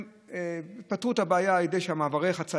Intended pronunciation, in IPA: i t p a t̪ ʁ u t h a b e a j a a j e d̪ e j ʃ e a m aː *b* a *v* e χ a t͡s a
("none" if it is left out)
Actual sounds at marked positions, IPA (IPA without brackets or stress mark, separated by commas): v, ʁ